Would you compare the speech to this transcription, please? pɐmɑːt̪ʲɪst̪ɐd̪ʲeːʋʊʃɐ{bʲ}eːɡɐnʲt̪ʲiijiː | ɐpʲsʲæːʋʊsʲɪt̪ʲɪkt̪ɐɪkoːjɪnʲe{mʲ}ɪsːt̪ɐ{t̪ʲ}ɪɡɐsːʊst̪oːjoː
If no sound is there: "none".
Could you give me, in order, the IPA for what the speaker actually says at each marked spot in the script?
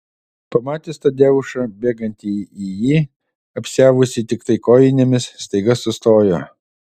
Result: bʲ, mʲ, none

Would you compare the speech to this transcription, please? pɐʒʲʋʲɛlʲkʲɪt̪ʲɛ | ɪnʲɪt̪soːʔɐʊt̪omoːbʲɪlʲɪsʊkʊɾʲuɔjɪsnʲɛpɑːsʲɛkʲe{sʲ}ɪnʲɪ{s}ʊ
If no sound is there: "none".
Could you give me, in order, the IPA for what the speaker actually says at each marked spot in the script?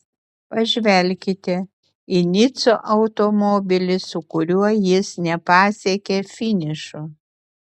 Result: fʲ, ʃ

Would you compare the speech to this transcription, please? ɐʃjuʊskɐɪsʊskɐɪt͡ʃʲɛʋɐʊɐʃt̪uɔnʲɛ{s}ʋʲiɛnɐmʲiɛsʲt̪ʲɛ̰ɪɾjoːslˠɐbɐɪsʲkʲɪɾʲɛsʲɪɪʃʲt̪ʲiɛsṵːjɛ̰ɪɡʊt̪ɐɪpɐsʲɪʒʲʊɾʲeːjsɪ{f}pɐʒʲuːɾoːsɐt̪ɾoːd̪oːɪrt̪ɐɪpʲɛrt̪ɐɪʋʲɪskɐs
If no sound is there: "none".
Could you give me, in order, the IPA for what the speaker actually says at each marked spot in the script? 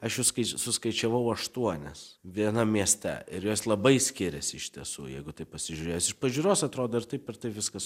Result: s, ʃ

